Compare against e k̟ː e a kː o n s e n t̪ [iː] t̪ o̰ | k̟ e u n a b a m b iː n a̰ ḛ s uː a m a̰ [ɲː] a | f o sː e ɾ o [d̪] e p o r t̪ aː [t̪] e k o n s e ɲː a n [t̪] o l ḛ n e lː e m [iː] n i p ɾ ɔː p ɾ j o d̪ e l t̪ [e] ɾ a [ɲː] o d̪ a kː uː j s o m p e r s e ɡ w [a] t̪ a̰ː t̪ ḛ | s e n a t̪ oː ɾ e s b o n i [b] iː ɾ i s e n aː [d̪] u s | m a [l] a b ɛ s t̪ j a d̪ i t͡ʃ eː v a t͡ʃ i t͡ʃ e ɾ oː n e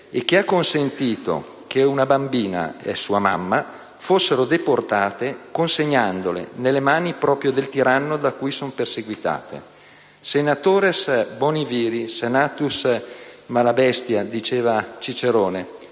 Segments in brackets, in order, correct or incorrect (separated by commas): correct, incorrect, correct, correct, incorrect, incorrect, incorrect, incorrect, incorrect, incorrect, incorrect, correct